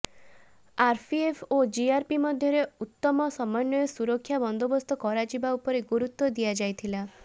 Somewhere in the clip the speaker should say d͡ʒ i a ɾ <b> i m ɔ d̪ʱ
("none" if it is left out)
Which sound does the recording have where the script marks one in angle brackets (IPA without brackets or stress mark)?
p